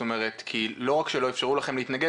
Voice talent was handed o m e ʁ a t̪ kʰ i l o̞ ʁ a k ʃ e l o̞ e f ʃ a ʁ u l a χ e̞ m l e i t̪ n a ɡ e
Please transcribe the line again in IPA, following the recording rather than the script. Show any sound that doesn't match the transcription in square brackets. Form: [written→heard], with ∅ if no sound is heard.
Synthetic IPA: o m e ʁ [a→e] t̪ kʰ i l o̞ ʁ a k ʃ e l o̞ e f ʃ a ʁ u l a χ e̞ m l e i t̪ n a ɡ e